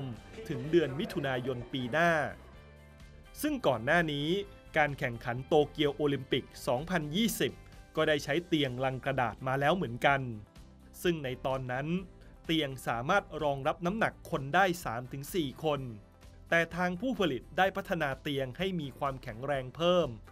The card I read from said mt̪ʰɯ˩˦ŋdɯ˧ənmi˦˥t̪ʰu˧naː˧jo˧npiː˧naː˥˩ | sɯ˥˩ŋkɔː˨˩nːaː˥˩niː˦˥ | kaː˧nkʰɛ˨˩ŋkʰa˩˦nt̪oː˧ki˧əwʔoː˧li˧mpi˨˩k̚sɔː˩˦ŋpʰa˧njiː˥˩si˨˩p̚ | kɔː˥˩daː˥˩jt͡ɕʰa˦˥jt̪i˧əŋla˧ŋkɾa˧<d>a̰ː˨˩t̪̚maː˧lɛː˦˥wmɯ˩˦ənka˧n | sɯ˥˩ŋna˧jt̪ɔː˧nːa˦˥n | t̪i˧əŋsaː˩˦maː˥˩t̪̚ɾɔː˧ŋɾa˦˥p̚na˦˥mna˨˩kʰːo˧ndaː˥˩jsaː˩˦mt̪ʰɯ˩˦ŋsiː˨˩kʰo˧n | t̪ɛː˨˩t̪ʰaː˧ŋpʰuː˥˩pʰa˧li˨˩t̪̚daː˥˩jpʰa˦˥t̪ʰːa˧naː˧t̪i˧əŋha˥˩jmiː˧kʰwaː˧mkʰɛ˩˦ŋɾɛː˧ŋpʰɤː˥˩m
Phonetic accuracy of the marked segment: correct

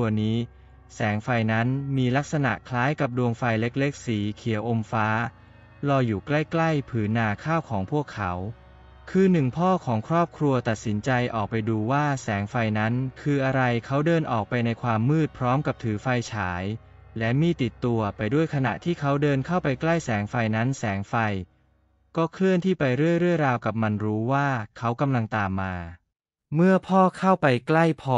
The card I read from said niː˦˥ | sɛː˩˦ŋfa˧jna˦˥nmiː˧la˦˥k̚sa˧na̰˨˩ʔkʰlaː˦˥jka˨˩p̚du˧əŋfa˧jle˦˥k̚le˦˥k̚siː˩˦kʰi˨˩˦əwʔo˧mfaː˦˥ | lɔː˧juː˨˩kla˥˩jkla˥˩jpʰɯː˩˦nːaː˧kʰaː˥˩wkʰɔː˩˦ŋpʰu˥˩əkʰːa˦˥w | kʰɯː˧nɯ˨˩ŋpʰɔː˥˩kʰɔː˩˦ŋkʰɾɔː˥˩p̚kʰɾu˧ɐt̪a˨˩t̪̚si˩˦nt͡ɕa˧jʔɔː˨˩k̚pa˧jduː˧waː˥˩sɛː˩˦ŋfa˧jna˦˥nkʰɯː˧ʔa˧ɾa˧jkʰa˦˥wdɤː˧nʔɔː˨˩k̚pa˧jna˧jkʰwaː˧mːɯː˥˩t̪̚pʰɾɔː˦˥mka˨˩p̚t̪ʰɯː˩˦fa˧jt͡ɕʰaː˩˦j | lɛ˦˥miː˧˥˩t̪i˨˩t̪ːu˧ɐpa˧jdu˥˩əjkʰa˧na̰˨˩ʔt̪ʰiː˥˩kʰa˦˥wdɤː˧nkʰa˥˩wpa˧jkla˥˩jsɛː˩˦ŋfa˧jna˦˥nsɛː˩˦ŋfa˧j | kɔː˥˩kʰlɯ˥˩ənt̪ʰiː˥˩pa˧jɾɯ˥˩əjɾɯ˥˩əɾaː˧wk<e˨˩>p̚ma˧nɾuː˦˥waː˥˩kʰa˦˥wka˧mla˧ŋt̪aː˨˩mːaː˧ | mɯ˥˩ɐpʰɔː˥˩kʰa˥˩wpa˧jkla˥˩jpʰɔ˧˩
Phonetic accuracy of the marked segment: incorrect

